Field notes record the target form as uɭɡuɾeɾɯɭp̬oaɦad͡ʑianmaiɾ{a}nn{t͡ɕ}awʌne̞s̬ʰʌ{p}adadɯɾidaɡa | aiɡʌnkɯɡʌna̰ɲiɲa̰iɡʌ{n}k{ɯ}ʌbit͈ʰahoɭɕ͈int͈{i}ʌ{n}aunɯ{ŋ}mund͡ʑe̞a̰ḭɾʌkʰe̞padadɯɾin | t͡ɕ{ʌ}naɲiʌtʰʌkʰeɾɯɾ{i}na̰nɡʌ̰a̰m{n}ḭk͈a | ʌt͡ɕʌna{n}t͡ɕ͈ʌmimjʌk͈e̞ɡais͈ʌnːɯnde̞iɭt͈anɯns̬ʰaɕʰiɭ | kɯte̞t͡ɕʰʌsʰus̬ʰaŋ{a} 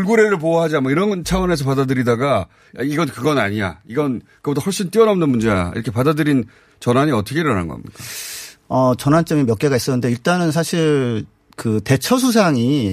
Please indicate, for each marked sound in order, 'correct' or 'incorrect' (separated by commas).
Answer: incorrect, incorrect, correct, correct, correct, correct, correct, incorrect, correct, incorrect, incorrect, correct, incorrect